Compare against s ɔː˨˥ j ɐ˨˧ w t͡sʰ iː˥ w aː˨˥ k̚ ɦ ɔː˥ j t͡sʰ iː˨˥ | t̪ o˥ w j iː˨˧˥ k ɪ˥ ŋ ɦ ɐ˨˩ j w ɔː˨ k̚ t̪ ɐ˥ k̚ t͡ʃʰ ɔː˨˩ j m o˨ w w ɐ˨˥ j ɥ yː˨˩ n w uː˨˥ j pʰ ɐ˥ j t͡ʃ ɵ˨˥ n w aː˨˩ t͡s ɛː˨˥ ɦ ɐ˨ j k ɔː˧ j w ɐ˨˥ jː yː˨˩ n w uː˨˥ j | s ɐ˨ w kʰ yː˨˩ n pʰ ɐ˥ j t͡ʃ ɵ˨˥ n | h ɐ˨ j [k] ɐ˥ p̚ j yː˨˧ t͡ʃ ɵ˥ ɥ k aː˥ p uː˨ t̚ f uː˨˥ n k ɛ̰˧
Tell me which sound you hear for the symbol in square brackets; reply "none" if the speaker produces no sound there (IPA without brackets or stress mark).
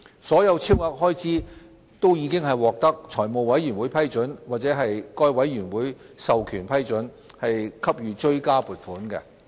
kʰ